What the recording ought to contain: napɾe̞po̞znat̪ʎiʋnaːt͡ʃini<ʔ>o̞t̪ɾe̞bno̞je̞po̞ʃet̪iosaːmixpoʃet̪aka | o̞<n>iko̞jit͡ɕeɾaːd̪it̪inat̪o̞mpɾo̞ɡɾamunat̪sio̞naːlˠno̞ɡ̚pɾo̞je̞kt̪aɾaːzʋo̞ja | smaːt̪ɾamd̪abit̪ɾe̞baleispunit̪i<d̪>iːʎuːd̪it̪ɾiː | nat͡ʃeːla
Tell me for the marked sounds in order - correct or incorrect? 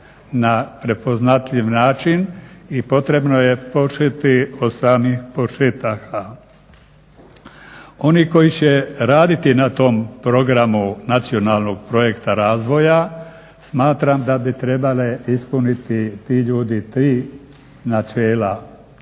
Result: incorrect: p, correct, incorrect: t̪

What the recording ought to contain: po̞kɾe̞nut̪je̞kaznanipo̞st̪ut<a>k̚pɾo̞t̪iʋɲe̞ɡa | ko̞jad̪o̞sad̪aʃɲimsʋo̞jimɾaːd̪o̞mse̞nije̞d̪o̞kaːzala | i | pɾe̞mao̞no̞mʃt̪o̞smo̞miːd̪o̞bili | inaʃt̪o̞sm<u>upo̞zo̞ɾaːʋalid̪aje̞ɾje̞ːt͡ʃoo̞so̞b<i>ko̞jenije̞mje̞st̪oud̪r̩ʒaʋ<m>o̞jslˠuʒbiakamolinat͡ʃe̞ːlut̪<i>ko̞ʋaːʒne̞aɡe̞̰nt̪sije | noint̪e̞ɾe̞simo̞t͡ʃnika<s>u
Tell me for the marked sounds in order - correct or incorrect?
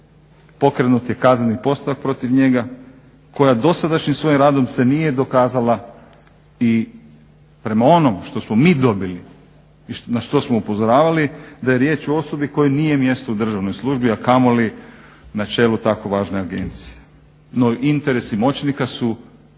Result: correct, incorrect: o, correct, incorrect: n, incorrect: a, correct

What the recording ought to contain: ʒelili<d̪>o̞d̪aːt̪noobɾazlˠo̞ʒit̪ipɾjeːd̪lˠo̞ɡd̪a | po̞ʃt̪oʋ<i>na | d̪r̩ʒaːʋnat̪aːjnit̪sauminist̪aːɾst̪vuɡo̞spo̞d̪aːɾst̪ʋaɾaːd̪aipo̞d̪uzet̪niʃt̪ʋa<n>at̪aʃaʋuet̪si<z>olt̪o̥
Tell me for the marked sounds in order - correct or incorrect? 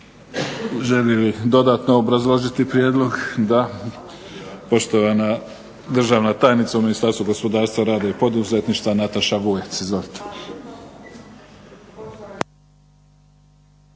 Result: correct, incorrect: a, correct, correct

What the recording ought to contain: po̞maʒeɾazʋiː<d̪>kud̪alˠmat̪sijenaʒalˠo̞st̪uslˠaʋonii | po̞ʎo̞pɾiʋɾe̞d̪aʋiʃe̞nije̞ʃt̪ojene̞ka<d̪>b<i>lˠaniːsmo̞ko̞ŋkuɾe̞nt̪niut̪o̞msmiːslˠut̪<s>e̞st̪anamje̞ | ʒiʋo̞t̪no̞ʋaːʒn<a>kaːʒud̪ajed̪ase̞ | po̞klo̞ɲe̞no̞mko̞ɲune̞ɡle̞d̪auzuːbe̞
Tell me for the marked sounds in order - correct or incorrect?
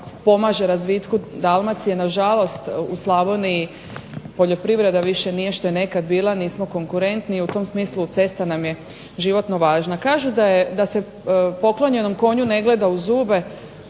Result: incorrect: t̪, correct, incorrect: iː, correct, correct

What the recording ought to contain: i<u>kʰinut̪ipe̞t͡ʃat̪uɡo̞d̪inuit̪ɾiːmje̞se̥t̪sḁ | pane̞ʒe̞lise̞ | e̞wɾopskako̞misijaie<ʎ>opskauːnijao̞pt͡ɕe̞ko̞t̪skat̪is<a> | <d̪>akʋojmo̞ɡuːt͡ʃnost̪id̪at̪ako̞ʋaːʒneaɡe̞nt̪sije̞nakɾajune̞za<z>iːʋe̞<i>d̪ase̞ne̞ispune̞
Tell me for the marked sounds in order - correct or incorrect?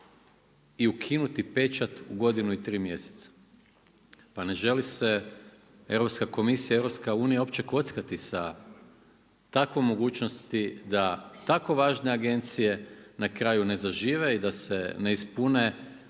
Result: correct, incorrect: ɾ, correct, incorrect: t̪, incorrect: ʒ, correct

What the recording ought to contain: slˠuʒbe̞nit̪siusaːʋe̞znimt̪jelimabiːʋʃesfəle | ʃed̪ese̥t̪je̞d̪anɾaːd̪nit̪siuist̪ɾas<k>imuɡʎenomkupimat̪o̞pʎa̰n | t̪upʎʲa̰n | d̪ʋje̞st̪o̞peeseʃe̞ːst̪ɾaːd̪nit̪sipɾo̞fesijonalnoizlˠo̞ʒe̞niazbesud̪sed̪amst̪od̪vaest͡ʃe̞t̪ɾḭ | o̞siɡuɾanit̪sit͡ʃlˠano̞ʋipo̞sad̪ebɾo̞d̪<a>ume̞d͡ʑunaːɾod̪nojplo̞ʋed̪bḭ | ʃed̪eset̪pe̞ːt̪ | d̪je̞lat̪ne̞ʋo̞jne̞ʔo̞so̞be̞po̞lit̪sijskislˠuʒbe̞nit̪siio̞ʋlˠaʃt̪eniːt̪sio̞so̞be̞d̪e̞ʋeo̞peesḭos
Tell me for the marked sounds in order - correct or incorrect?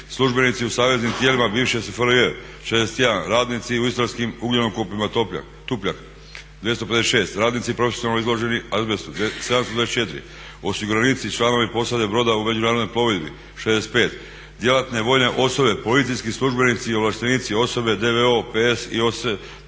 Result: correct, correct

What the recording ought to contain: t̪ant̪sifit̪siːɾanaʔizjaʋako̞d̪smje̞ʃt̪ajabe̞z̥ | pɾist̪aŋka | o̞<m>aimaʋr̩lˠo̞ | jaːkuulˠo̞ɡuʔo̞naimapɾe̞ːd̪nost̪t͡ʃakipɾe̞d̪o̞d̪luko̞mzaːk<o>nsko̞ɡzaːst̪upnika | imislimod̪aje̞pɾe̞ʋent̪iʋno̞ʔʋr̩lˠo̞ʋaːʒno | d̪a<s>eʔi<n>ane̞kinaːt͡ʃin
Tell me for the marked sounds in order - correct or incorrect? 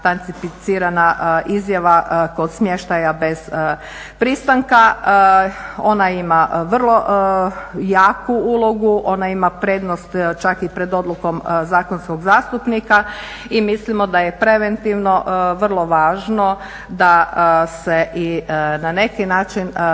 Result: incorrect: n, correct, correct, correct

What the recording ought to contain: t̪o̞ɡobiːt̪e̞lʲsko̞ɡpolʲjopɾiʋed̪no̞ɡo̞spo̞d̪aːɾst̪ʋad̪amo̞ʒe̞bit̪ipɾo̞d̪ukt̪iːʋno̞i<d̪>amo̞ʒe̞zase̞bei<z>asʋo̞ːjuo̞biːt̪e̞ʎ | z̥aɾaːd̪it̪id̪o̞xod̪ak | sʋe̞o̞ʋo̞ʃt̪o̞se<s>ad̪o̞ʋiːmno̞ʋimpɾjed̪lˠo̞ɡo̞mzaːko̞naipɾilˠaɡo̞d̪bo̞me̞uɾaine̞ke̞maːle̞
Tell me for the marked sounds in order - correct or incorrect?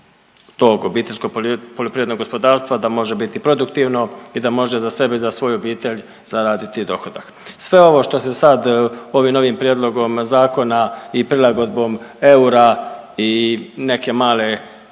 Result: correct, correct, correct

